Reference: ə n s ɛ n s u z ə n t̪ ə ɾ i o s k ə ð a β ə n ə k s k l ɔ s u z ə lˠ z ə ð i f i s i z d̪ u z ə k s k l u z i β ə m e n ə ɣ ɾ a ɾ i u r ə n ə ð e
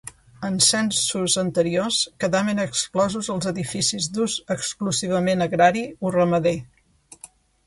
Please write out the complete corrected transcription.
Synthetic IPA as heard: ə n s ɛ n s u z ə n t̪ ə ɾ i o s k ə ð a β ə n ə k s k l ɔ z u z ə lˠ z ə ð i f i s i z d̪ u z ə k s k l u z i β ə m e n ə ɣ ɾ a ɾ i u r ə m ə ð e